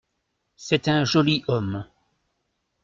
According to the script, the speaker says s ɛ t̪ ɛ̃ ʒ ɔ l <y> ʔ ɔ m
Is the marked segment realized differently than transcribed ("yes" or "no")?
yes